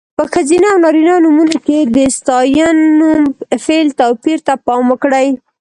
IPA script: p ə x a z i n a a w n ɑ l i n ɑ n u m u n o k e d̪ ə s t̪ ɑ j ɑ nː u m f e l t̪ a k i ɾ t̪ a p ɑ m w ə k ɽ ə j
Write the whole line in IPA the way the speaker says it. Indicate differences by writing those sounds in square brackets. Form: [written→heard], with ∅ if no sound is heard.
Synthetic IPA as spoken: p ə x a z i n a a w n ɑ [l→ɾ] i n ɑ n u m u n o k e d̪ ə s t̪ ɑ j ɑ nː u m f e l t̪ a [k→p] i ɾ t̪ a p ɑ m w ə k ɽ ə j